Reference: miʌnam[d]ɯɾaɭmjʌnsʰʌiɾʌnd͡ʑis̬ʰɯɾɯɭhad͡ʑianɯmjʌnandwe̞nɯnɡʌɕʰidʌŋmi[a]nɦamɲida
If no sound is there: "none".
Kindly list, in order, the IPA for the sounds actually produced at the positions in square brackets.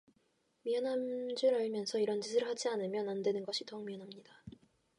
d͡ʑ, ʌ

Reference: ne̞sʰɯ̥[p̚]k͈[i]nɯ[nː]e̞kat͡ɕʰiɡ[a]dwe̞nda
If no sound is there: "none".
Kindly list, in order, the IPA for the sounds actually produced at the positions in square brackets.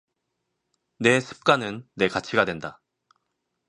p̚, a, nː, a

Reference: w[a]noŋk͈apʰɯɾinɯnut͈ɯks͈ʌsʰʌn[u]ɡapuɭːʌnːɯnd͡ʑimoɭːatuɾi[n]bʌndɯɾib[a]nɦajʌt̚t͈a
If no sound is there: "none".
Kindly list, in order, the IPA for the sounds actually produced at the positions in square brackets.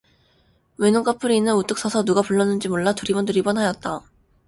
e, u, none, ʌ

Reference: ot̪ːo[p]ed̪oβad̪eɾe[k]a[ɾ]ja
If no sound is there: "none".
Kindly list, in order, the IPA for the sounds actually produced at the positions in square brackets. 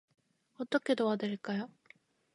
k, k, none

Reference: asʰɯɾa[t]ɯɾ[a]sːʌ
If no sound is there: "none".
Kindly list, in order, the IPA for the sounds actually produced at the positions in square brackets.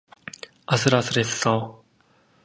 s, e

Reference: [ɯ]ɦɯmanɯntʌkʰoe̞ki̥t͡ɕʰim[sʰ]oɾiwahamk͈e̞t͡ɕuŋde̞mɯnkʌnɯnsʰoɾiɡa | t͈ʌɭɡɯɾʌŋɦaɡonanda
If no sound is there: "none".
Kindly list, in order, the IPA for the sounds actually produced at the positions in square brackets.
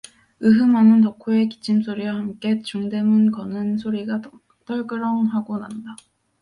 ɯ, sʰ

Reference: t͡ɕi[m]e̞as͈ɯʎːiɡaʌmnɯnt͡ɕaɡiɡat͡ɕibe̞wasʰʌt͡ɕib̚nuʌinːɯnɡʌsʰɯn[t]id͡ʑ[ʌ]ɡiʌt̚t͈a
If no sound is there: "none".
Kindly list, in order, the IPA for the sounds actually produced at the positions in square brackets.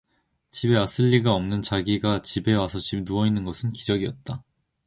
b, k, ʌ

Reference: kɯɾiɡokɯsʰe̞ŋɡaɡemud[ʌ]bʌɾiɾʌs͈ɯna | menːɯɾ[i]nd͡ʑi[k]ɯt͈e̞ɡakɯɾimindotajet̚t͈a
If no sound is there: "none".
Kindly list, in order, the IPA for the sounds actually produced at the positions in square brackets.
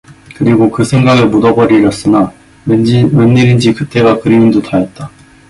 ʌ, i, k

